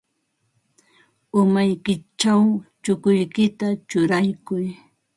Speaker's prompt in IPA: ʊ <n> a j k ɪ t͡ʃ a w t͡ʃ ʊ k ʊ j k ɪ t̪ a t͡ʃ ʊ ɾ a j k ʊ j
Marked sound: incorrect: m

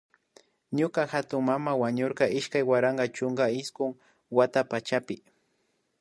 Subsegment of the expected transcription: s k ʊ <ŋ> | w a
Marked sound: correct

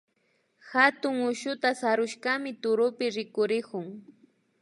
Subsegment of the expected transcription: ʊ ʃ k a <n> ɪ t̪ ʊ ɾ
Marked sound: incorrect: m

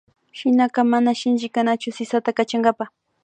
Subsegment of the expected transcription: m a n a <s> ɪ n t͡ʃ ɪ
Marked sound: incorrect: ʃ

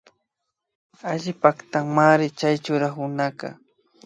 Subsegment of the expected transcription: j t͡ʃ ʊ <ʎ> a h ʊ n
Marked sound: incorrect: ɾ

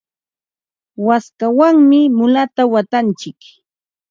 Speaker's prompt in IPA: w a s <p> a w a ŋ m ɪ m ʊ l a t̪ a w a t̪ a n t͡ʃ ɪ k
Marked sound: incorrect: k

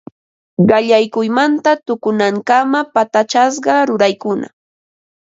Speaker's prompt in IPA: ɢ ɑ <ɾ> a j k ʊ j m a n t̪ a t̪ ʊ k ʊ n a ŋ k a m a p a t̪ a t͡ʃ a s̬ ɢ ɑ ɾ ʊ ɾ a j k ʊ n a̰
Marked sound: incorrect: ʎ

